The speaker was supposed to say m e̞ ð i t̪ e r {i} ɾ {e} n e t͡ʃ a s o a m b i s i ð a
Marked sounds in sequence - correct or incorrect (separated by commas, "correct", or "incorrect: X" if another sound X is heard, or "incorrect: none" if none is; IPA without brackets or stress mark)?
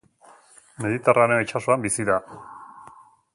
incorrect: a, correct